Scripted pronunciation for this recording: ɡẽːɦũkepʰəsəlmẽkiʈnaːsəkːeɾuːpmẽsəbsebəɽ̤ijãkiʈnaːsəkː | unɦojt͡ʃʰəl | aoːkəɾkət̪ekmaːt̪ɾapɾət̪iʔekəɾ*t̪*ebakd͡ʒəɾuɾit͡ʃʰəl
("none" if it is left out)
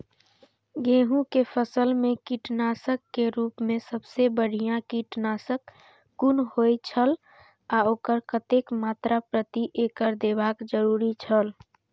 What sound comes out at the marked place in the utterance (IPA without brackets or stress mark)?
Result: d̪